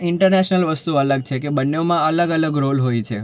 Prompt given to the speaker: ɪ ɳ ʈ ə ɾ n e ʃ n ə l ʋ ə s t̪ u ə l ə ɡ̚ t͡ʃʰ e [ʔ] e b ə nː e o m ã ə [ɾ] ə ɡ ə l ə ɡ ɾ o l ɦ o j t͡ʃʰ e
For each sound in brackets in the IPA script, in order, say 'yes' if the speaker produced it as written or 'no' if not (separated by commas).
no, no